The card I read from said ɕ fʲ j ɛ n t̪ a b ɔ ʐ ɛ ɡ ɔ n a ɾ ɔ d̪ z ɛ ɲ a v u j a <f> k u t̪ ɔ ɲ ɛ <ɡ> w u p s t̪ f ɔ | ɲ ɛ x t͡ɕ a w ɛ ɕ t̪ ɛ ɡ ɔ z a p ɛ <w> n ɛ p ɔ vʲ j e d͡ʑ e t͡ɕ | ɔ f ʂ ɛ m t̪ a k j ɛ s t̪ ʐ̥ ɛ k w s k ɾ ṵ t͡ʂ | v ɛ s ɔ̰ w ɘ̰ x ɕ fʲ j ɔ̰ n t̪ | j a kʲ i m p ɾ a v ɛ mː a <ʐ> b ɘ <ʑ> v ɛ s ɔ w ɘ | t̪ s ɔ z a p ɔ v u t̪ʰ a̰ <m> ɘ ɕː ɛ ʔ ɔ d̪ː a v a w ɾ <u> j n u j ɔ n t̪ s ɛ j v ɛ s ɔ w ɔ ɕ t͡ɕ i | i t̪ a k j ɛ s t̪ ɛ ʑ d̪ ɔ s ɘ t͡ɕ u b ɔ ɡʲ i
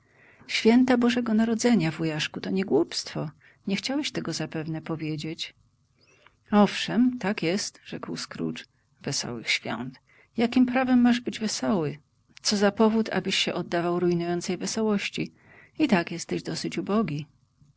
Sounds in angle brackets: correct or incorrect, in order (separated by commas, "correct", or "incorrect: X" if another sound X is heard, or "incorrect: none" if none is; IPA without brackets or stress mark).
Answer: incorrect: ʂ, correct, incorrect: v, correct, incorrect: d͡ʑ, incorrect: b, correct